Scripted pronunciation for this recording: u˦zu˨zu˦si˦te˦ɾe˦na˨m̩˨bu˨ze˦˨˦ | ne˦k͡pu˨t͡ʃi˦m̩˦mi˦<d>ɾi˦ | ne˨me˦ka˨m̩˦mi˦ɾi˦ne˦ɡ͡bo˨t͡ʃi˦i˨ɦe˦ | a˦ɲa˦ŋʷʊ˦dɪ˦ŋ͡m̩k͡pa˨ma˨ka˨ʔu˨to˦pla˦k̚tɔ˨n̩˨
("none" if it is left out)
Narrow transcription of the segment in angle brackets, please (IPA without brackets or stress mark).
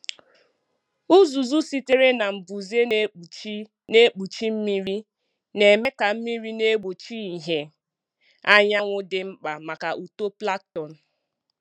none